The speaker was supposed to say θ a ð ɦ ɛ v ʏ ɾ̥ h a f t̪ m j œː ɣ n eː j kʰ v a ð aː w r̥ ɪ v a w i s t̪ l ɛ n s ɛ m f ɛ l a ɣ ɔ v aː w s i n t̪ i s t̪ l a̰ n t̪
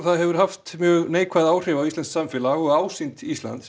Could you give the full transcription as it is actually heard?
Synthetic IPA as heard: θ a ð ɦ ɛ v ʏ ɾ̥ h a f t̪ m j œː ɣ n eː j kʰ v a ð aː w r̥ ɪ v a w i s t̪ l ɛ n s a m f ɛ l a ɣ ɔ ɣ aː w s i n t̪ i s t̪ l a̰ n t̪